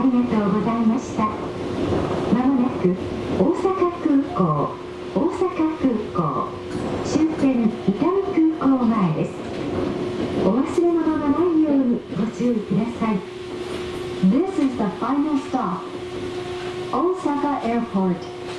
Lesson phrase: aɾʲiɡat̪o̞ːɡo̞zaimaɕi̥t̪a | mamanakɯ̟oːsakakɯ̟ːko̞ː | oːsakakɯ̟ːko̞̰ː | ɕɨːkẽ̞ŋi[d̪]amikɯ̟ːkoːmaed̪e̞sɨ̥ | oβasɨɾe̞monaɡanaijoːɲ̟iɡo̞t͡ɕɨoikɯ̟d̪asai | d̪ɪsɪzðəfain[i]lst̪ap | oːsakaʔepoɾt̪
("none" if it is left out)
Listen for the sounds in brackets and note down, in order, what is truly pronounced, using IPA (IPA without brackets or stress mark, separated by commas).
t̪, a